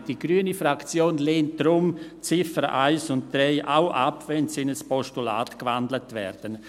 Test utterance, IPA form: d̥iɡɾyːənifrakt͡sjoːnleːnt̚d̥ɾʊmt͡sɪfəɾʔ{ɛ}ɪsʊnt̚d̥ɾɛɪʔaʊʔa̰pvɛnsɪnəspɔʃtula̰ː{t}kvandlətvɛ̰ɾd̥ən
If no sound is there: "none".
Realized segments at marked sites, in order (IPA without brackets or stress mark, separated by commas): a, t